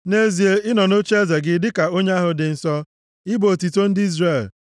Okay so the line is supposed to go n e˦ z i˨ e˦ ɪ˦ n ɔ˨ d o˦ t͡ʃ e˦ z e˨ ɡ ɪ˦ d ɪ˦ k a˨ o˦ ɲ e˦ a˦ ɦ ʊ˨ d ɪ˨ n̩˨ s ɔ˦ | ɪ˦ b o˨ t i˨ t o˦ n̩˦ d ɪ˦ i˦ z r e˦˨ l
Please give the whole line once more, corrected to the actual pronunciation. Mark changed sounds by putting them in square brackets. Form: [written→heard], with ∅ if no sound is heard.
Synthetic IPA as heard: n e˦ z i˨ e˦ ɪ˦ n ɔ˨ [d→n] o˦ t͡ʃ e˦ z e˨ ɡ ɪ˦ d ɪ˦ k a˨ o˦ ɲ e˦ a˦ ɦ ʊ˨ d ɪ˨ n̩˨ s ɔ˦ | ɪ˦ b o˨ t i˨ t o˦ n̩˦ d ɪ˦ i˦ z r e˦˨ l